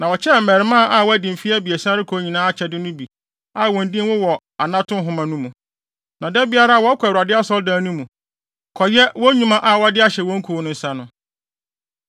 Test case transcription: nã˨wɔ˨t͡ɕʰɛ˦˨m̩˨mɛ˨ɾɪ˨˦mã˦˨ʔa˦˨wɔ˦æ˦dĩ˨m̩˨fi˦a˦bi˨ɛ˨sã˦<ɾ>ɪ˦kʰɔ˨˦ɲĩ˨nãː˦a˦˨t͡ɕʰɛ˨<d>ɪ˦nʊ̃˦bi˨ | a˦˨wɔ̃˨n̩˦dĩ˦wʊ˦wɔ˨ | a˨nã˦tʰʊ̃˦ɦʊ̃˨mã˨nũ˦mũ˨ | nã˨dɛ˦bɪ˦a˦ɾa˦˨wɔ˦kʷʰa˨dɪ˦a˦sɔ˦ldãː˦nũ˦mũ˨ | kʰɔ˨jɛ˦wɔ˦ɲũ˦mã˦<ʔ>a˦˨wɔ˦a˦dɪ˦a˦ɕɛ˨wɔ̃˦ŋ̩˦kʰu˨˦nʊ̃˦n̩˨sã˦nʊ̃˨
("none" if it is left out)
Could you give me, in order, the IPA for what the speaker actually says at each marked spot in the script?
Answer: ɾ, d, ʔ

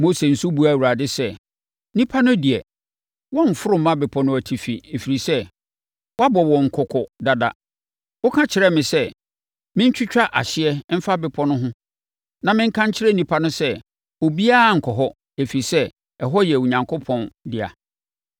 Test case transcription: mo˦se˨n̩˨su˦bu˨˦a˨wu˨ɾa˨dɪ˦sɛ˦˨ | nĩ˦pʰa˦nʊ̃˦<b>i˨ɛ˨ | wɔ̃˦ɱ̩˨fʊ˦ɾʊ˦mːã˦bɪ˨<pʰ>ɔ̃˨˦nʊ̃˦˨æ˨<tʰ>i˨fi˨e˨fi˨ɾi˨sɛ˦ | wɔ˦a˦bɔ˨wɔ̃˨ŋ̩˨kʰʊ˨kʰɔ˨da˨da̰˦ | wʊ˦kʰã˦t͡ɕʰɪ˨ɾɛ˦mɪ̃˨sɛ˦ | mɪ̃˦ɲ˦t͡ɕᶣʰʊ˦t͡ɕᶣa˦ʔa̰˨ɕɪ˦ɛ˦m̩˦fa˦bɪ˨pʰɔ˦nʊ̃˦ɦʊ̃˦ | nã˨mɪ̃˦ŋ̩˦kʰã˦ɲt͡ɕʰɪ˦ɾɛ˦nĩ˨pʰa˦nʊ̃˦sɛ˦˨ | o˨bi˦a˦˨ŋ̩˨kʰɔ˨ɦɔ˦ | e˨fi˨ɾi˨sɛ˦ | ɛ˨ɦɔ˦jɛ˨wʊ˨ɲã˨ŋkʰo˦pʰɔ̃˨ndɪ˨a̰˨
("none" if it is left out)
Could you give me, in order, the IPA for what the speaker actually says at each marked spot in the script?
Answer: d, pʰ, tʰ

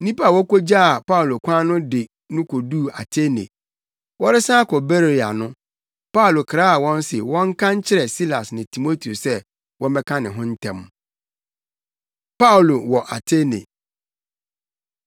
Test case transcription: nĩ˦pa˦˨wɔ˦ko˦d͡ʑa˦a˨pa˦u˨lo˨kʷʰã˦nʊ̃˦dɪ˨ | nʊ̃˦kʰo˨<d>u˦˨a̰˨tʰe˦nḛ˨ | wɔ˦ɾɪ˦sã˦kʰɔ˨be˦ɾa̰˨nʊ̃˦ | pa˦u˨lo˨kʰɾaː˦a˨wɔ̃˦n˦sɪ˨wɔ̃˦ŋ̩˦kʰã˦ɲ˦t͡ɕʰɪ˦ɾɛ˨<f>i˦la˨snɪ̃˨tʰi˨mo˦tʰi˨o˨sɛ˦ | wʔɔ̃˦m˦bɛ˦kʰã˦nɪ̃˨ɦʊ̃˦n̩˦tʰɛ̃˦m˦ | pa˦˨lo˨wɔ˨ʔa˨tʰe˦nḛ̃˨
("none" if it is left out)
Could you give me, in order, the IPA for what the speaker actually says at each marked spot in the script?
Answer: d, s

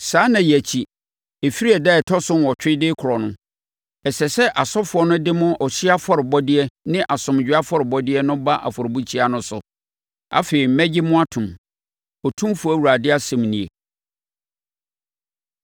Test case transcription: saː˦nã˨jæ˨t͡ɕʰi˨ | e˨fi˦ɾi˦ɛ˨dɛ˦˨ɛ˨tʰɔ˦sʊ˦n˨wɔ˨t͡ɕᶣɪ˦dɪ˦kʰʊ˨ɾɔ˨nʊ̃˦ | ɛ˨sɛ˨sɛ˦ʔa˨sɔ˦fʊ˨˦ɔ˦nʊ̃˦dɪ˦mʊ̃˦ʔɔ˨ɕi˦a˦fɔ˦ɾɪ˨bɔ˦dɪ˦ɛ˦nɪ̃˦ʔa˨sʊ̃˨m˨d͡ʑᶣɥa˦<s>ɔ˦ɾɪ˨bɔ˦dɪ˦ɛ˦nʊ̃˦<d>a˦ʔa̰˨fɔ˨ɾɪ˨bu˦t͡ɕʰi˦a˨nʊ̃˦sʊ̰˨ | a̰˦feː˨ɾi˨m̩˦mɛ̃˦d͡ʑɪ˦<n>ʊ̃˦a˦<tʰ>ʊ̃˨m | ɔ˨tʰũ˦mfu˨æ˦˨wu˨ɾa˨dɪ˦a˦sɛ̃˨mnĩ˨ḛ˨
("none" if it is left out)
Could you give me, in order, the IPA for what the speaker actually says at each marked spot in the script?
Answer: f, b, m, tʰ

